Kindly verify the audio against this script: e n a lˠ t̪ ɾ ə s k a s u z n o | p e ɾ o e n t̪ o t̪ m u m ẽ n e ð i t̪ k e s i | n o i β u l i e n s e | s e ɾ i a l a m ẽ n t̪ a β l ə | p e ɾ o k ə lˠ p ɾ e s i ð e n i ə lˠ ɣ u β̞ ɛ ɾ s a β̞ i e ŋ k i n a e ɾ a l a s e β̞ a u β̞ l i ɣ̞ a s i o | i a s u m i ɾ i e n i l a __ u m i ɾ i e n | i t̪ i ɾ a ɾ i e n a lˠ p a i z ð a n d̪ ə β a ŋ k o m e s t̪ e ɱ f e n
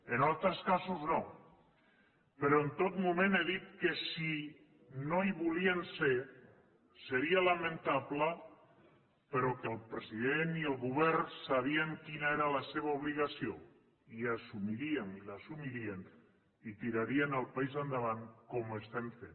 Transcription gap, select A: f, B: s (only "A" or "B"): B